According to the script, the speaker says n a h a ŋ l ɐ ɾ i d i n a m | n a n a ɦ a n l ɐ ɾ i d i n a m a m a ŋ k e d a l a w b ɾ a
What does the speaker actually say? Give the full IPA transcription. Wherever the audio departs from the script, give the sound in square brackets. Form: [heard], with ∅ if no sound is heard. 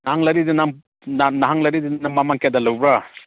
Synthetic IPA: n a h a ŋ l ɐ ɾ i d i n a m | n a n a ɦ a [ŋ] l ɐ ɾ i d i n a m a m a ŋ k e d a l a w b ɾ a